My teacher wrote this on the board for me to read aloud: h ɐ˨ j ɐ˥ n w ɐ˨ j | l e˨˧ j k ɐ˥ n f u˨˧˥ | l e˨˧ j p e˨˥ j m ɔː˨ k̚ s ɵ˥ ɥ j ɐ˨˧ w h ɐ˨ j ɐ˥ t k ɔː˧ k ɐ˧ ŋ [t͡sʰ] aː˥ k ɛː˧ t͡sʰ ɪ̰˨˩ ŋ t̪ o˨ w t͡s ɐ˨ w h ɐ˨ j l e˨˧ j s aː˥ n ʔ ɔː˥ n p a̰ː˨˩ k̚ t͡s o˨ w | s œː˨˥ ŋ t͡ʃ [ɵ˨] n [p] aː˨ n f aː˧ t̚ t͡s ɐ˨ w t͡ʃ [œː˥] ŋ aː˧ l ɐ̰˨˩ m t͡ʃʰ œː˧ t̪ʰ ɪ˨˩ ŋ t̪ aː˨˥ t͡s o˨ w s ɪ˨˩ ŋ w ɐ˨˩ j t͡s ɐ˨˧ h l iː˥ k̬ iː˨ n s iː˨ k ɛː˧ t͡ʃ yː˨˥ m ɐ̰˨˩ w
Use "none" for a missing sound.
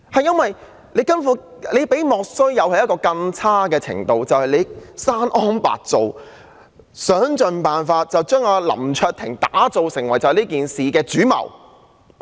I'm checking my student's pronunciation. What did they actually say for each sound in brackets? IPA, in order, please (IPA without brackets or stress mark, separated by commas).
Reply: t͡sʰ, ɵ˨, p, œː˥